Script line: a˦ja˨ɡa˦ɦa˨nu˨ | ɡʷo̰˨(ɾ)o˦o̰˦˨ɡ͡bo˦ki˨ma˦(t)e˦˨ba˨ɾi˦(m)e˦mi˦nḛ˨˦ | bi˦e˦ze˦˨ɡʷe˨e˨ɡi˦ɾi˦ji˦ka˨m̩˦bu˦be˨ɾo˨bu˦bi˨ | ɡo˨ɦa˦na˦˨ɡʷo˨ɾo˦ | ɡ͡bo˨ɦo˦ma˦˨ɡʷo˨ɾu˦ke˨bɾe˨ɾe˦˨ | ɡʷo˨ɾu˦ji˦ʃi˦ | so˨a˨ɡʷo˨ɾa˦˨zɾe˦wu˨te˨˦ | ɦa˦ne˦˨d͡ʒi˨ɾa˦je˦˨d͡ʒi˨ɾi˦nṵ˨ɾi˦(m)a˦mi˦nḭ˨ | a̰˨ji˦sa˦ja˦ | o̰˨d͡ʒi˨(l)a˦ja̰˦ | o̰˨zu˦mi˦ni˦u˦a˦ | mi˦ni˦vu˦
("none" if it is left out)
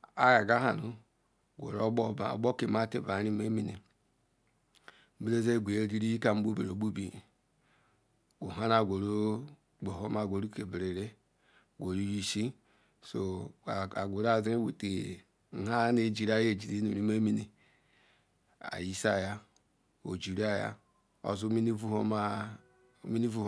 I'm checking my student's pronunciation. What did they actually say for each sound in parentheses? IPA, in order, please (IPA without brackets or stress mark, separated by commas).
ɾ, t, m, m, ɾ